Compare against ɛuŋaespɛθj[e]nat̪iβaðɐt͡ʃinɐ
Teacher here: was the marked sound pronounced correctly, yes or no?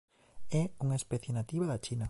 yes